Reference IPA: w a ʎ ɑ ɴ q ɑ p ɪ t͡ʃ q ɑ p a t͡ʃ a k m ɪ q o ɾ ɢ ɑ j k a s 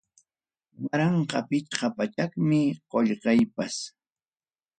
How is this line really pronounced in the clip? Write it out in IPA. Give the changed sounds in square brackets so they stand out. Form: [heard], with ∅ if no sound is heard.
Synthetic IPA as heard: w a [ɾ] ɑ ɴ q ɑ p ɪ t͡ʃ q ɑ p a t͡ʃ a k m ɪ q o [ʎ] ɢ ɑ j [p] a s